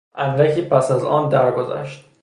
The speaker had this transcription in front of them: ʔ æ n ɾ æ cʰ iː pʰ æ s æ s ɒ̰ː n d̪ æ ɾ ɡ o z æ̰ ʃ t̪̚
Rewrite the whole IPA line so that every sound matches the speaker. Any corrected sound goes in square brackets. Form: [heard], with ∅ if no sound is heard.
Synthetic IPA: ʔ æ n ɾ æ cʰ iː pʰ æ s æ [z] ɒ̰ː n d̪ æ ɾ ɡ o z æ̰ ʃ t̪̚